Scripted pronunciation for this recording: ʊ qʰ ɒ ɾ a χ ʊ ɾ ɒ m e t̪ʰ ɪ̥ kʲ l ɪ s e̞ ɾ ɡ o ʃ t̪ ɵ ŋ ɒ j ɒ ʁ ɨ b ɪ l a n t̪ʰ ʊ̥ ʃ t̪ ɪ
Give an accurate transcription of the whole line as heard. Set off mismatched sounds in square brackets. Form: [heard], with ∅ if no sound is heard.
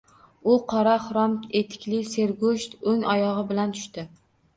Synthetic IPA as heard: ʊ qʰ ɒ ɾ a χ ʊ ɾ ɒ m e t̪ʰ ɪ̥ kʲ l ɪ s e̞ ɾ ɡ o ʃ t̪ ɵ ŋ ɒ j ɒ ʁ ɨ b ɪ l a n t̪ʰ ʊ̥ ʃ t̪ ɪ